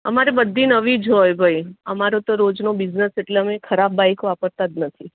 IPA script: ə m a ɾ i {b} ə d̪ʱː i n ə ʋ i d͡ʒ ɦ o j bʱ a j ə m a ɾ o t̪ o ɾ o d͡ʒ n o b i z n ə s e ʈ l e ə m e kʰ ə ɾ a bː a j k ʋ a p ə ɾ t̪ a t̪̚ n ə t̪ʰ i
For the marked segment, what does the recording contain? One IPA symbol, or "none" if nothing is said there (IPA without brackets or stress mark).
b